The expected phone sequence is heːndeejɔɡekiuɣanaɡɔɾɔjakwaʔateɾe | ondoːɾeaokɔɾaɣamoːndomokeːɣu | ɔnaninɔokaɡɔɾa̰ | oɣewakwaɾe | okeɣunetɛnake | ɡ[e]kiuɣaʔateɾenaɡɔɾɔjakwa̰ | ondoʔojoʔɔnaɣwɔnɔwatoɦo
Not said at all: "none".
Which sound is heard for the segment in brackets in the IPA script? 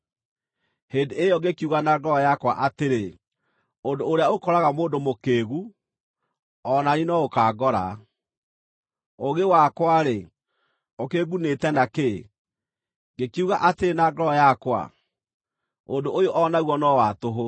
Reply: e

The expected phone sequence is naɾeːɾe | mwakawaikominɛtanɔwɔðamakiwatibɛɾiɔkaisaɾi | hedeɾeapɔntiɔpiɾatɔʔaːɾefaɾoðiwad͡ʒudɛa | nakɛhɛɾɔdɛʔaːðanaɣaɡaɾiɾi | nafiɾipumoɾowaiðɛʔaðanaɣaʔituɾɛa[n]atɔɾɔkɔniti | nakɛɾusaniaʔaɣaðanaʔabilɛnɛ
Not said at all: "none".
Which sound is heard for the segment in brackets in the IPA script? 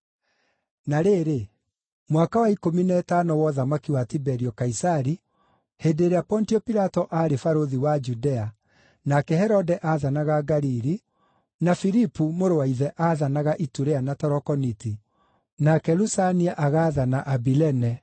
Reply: n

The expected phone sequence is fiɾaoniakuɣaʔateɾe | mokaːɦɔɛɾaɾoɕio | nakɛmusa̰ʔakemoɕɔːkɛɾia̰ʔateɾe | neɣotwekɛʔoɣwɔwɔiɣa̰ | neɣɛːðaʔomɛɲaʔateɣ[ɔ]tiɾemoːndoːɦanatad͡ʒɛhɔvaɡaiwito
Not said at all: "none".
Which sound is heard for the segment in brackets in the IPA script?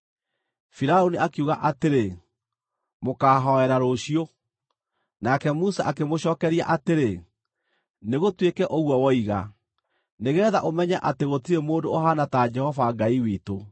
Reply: o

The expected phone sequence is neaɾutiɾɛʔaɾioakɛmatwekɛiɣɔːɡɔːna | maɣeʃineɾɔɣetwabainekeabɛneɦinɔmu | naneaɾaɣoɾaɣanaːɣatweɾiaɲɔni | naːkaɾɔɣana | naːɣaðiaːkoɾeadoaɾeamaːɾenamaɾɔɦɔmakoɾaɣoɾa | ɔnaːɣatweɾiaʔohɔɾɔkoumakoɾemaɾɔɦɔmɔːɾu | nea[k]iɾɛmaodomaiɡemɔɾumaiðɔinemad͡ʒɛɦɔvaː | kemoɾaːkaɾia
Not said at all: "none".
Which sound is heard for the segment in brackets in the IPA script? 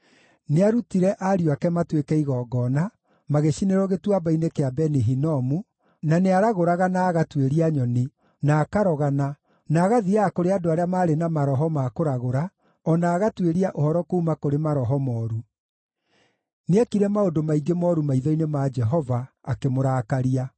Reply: k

